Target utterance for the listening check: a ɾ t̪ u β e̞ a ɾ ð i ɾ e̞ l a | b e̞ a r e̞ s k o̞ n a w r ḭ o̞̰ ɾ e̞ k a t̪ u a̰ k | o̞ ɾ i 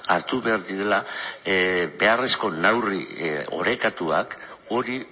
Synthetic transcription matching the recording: a ɾ t̪ u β e̞ a ɾ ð i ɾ e̞ l a | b e̞ a r e̞ s k o̞ n a w r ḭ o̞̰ ɾ e̞ k a t̪ u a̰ k | o̞ ɾ i